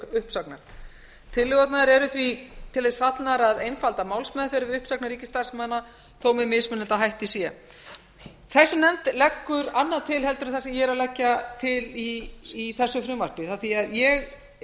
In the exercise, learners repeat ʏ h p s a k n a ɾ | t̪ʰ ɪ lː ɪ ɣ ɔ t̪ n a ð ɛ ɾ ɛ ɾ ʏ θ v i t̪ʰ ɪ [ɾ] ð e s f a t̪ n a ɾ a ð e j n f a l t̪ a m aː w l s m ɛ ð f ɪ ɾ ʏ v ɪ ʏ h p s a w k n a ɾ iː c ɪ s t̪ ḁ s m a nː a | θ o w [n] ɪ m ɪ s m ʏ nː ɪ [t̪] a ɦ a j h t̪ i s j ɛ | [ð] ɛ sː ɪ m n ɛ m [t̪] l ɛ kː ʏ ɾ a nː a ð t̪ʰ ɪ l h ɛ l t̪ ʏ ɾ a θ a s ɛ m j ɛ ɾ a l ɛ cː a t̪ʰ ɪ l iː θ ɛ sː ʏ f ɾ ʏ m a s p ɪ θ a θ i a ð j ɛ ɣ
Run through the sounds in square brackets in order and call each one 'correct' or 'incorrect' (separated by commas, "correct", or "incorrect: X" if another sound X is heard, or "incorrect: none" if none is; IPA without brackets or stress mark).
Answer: incorrect: l, incorrect: m, correct, incorrect: θ, correct